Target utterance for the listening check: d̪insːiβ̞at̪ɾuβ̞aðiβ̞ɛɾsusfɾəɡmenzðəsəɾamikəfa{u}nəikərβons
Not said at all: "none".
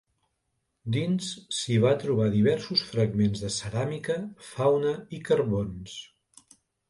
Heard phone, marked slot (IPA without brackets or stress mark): w